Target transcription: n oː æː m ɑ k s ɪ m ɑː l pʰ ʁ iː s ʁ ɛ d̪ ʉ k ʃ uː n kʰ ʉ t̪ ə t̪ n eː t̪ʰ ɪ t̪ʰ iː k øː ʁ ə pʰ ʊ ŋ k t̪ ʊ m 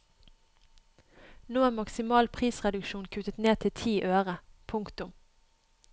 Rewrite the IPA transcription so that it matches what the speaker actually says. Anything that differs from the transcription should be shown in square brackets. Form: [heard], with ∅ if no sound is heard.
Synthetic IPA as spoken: n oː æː m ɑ k s ɪ m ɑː l pʰ ʁ iː s ʁ ɛ d̪ ʉ k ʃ uː n kʰ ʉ t̪ ə t̪ n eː t̪ʰ ɪ t̪ʰ iː [ʔ] øː ʁ ə pʰ ʊ ŋ k t̪ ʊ m